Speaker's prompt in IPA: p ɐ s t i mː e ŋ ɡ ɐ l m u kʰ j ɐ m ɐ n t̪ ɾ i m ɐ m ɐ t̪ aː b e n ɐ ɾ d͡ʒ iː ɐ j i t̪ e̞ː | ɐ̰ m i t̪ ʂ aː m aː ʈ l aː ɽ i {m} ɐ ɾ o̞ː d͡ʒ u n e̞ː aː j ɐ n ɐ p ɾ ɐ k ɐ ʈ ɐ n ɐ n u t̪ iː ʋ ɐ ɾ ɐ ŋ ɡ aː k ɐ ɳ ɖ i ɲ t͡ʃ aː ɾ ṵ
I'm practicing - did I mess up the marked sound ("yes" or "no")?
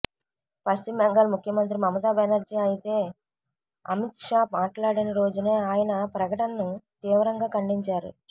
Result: yes